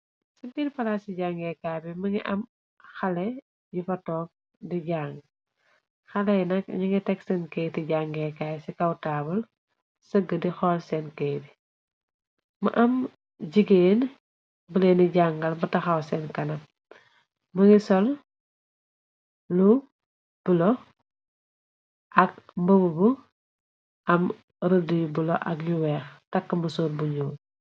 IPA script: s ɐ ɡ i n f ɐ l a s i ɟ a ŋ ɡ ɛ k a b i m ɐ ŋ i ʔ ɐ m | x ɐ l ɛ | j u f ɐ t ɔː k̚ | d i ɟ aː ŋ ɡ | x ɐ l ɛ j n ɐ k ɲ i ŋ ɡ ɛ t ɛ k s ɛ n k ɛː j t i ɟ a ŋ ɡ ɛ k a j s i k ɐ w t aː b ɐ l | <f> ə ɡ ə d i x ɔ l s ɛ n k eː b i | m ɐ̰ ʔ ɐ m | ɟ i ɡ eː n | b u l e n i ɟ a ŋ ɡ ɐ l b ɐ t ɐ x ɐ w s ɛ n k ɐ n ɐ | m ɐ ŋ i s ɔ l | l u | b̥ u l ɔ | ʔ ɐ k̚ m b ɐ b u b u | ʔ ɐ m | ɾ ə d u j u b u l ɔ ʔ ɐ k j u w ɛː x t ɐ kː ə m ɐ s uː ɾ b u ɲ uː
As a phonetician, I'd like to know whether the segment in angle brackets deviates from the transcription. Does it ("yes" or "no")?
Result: yes